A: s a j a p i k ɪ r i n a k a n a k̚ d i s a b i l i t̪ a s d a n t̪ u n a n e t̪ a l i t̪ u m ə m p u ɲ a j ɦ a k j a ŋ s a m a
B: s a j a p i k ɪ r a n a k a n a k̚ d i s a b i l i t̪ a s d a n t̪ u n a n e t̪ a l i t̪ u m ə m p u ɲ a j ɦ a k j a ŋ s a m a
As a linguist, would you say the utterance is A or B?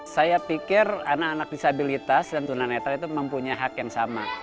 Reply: B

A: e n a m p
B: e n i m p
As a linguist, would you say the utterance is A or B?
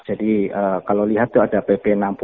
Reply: A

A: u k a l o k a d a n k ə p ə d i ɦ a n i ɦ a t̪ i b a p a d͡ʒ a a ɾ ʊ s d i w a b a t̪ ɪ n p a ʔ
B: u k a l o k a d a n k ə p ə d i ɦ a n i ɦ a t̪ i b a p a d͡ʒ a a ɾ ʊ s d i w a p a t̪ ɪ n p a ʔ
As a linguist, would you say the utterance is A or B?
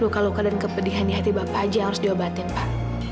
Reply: A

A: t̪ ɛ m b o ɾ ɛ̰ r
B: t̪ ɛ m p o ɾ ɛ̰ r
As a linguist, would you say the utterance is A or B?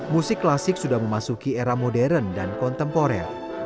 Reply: B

